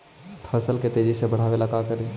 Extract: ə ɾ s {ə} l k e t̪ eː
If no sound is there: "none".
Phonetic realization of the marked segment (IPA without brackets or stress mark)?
ə